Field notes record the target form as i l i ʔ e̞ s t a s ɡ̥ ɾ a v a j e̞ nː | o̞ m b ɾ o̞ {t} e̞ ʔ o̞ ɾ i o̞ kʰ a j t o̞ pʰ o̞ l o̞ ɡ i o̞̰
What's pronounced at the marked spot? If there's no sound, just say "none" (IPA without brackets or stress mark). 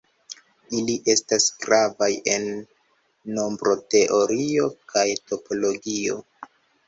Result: t